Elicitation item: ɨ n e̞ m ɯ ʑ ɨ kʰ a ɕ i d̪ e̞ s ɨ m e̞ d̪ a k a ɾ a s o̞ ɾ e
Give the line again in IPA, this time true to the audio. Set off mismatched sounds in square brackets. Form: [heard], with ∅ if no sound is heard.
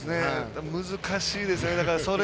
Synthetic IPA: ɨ n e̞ m ɯ [z] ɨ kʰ a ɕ [iː] d̪ e̞ s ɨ [n] e̞ d̪ a k a ɾ a s o̞ ɾ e

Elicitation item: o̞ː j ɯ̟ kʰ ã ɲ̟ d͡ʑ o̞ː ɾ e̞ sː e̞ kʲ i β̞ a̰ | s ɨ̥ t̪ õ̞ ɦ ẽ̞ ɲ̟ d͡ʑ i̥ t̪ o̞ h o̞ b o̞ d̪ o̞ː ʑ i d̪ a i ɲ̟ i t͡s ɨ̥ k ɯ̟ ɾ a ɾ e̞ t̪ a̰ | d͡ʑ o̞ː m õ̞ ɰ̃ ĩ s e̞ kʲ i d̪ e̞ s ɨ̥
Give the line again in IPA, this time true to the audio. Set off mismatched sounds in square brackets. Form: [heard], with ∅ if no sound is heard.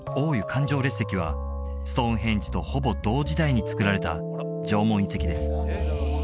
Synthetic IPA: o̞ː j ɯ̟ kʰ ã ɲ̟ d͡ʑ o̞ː ɾ e̞ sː e̞ kʲ i β̞ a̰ | s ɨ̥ t̪ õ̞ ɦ ẽ̞ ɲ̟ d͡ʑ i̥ t̪ o̞ h o̞ b o̞ d̪ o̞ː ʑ i d̪ a i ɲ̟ i t͡s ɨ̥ k ɯ̟ ɾ a ɾ e̞ t̪ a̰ | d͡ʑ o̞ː m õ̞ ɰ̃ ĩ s e̞ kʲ i d̪ e̞ s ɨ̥

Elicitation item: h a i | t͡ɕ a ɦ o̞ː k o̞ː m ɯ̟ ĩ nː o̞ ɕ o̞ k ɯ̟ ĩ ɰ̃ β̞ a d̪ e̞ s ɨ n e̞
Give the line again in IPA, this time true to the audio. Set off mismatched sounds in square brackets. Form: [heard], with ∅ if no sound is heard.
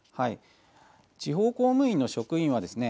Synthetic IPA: h a i | t͡ɕ [i] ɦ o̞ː k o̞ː m ɯ̟ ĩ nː o̞ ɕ o̞ k ɯ̟ ĩ ɰ̃ β̞ a d̪ e̞ s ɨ n e̞

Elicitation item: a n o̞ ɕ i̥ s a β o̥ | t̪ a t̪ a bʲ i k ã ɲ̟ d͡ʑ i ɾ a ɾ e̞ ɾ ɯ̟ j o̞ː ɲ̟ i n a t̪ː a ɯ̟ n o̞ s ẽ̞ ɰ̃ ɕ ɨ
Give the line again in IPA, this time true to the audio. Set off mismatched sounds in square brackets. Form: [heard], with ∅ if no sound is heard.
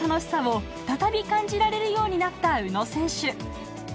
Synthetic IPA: a n o̞ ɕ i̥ s a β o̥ | t̪ a t̪ a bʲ i k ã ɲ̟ d͡ʑ i ɾ a ɾ e̞ ɾ ɯ̟ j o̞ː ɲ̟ i n a t̪ː a ɯ̟ n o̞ s ẽ̞ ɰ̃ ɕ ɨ

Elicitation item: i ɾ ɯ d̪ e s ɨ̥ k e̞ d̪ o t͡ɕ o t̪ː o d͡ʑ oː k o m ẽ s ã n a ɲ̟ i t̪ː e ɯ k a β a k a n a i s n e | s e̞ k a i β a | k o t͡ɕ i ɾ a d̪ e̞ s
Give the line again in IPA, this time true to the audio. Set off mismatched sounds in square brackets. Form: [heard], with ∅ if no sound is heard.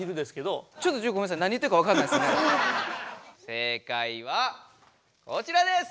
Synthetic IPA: i ɾ ɯ d̪ e s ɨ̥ k e̞ d̪ o t͡ɕ o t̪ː o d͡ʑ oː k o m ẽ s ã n a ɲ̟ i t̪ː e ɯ k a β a k a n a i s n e | s e̞ k a i β a | k o t͡ɕ i ɾ a d̪ e̞ s

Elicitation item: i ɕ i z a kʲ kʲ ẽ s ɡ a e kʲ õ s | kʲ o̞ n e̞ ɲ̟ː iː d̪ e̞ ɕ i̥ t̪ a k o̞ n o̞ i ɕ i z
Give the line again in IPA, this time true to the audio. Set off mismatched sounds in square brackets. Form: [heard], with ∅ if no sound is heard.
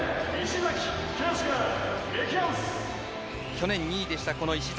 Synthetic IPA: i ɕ i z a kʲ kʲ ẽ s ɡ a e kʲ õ s | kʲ o̞ n [ẽ̞] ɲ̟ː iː d̪ e̞ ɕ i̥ t̪ a k o̞ n o̞ i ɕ i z

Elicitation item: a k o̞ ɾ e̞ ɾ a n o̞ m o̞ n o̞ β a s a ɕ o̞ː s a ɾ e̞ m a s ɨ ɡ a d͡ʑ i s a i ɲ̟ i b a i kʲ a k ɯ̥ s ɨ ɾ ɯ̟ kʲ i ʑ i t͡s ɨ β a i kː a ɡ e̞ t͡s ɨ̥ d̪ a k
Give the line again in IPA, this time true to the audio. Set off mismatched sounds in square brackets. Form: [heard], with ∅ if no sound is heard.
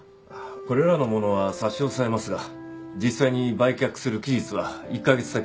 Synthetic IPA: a k o̞ ɾ e̞ ɾ a n o̞ m o̞ n o̞ β a s a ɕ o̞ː s a ɾ e̞ m a s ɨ ɡ a d͡ʑ i s a i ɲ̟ i b a i kʲ a k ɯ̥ s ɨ ɾ ɯ̟ kʲ i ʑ i t͡s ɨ β a i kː a ɡ e̞ t͡s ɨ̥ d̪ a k

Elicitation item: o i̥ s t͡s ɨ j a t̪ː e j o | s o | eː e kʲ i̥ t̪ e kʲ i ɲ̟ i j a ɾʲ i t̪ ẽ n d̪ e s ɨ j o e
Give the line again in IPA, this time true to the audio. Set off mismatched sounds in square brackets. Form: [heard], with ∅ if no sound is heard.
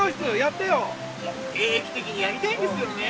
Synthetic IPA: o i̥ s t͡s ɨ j a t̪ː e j o | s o | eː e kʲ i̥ t̪ e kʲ i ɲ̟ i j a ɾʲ i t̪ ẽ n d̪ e s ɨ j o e

